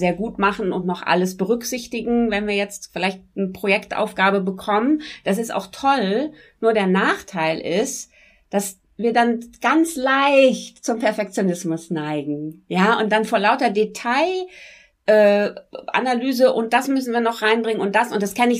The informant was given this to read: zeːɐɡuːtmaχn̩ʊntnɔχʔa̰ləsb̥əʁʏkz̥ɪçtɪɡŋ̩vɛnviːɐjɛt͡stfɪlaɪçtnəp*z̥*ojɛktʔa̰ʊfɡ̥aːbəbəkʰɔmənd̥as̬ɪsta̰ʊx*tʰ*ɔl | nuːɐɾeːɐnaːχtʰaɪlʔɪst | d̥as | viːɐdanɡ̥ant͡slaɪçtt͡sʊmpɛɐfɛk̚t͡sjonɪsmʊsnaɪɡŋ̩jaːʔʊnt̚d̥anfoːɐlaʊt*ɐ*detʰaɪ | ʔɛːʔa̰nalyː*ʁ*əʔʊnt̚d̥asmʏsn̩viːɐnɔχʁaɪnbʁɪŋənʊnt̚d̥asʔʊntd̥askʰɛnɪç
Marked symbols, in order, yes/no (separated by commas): no, yes, yes, no